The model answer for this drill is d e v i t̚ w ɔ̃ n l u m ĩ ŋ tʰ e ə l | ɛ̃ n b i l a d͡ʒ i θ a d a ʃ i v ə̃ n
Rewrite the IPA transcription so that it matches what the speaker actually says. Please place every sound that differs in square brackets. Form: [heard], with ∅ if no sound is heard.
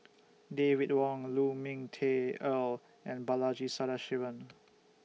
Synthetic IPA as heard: d e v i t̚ w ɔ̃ [ŋ] l u m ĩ ŋ tʰ e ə l | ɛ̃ n b [a] l a d͡ʒ i [s] a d a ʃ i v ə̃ n